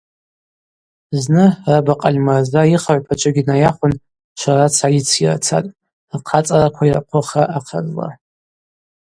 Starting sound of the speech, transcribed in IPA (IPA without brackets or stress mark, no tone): z